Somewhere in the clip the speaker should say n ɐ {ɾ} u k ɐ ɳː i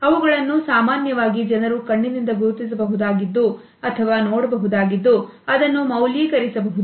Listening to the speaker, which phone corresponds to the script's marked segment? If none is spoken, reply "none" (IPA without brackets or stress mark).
ɾ